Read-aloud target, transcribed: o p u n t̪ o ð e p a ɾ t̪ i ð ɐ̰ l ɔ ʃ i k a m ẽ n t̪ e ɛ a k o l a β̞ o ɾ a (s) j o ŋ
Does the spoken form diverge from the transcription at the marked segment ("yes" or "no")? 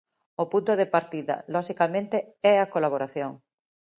yes